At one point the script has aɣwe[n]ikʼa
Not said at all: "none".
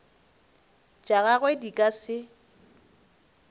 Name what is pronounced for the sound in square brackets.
d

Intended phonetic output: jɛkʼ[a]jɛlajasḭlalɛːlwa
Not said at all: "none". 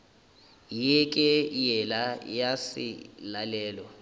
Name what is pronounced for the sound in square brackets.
ɛ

